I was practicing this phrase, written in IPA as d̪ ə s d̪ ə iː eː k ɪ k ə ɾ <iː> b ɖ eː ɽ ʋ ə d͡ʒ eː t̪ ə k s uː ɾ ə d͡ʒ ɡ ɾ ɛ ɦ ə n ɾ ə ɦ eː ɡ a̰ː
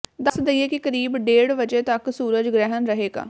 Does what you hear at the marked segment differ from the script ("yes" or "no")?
no